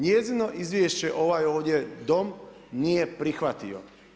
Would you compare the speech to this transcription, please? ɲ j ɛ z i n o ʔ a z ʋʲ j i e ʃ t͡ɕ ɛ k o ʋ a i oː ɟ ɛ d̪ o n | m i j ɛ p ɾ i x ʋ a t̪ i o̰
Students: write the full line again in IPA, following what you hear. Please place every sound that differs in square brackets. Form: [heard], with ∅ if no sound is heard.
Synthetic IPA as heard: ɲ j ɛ z i n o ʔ [i] z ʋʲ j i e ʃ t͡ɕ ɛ [ʔ] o ʋ a [j] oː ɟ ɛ d̪ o [m] | [n] i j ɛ p ɾ i x ʋ a t̪ i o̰